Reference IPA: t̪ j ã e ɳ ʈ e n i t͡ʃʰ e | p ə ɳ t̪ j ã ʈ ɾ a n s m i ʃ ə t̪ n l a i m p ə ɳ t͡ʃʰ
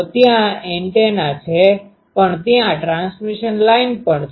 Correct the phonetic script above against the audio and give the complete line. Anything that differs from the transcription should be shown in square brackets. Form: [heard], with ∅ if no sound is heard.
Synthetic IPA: t̪ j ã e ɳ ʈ e n [a] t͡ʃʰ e | p ə ɳ t̪ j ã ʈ ɾ a n s m i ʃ ə [∅] n l a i [n] p ə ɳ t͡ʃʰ